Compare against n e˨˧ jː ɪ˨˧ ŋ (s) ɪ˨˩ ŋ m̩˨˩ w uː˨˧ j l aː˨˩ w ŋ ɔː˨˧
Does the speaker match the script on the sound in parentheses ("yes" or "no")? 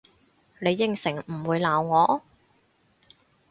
yes